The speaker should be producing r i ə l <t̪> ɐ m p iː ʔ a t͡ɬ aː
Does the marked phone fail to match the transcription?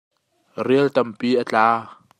no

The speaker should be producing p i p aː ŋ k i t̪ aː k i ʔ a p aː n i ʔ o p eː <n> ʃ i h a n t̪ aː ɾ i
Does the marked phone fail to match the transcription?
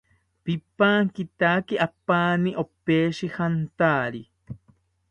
yes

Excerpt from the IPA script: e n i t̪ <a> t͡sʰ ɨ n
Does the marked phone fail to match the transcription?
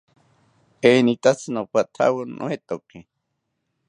no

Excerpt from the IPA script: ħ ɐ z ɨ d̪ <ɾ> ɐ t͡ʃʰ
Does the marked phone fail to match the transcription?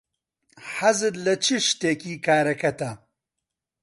yes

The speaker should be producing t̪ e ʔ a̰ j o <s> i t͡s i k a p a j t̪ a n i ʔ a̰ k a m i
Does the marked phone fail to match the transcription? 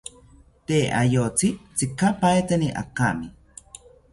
yes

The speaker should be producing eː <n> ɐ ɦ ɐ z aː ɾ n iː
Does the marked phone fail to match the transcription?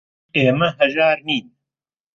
yes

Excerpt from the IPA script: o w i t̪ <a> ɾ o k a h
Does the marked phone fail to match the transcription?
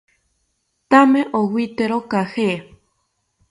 yes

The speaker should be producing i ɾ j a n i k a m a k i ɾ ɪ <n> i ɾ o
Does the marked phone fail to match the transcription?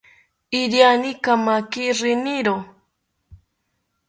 no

